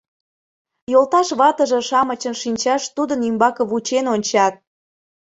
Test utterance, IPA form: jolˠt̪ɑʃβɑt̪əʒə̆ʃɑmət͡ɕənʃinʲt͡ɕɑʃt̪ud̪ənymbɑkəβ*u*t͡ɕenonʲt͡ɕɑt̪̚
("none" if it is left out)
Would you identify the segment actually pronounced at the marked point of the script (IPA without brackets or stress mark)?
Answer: u